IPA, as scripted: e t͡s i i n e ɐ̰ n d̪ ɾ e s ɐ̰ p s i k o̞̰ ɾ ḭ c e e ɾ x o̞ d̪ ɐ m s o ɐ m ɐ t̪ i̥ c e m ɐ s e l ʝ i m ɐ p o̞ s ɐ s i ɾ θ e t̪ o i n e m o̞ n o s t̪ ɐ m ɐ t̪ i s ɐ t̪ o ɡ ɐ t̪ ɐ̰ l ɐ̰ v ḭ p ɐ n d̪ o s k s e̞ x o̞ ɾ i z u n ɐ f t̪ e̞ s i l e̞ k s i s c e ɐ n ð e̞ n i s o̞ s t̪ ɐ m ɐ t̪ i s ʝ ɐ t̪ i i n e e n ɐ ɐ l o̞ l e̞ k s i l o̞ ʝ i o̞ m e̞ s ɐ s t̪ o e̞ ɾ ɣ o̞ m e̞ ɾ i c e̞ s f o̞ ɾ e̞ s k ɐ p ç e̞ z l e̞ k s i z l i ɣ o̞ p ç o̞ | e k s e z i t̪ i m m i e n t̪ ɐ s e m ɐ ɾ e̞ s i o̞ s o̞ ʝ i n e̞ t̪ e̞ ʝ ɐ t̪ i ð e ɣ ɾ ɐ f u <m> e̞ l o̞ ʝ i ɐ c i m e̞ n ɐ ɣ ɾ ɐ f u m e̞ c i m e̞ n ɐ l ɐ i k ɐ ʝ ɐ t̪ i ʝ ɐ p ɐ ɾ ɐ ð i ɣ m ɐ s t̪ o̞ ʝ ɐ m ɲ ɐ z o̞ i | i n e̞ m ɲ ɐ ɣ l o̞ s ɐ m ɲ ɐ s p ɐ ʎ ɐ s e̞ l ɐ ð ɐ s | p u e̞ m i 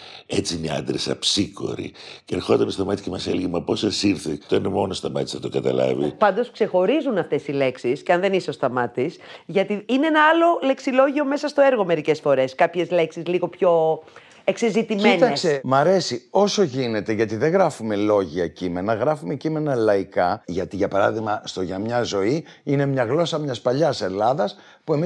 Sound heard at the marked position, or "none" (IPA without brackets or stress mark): m